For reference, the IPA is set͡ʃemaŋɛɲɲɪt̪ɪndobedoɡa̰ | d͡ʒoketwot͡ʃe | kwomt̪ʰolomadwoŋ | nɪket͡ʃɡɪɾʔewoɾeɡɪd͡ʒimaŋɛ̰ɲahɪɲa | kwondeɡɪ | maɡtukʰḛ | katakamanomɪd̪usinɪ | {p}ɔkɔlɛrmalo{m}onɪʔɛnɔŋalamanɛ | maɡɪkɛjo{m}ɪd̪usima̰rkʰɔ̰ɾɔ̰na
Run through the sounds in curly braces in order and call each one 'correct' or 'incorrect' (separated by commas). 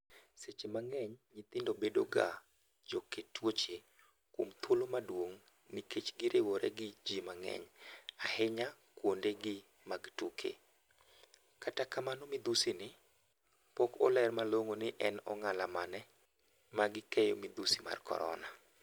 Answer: correct, incorrect, correct